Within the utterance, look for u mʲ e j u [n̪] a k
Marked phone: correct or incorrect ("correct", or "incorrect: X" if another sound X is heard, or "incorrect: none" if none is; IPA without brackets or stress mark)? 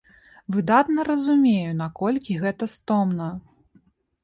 correct